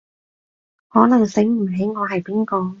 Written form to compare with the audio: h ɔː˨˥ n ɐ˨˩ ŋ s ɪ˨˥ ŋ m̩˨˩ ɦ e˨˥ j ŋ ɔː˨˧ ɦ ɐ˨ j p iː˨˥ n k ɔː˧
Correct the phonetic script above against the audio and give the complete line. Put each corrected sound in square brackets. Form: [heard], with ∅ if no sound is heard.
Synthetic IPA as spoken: h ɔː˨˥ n ɐ˨˩ ŋ s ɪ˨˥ ŋ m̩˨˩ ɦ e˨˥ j ŋ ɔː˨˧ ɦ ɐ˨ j p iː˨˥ n k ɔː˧